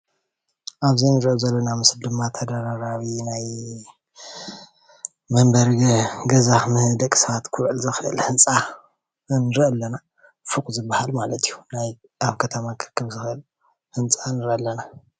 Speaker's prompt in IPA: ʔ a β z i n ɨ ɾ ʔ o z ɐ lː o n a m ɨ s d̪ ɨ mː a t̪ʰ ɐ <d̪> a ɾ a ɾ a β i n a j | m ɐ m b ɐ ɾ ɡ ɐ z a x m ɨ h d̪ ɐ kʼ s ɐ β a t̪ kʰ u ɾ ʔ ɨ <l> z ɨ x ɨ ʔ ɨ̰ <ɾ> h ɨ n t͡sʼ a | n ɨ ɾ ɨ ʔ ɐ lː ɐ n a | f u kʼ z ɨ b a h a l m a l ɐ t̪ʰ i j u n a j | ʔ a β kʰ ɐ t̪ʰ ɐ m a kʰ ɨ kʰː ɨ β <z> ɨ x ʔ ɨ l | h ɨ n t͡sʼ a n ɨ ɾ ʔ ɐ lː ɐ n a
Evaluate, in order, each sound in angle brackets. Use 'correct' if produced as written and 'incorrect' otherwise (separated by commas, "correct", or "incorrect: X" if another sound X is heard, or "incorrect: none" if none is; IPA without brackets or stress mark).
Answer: correct, correct, incorrect: l, correct